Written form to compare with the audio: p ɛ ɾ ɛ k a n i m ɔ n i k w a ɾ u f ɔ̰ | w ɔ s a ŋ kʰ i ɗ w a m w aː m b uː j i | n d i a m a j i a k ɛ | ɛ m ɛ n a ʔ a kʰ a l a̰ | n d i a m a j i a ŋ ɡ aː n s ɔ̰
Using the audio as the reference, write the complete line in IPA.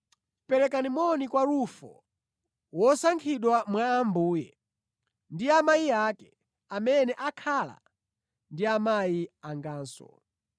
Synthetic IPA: p ɛ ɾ ɛ k a n i m ɔ n i k w a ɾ u f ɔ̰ | w ɔ s a ŋ kʰ i ɗ w a m w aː m b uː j ɛ | n d i a m a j i a k ɛ | a m ɛ n ɛ ʔ a kʰ a l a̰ | n d i a m a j i a ŋ ɡ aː n s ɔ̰